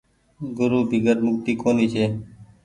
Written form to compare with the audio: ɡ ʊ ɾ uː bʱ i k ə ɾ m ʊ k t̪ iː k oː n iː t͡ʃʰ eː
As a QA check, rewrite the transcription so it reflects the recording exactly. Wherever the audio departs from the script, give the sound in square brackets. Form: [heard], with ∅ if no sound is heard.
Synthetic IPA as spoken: ɡ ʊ ɾ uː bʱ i [ɡ] ə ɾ m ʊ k t̪ iː k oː n iː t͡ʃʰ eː